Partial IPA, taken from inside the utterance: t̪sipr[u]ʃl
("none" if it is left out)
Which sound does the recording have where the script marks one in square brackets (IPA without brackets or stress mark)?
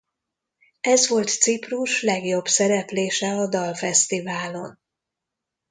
u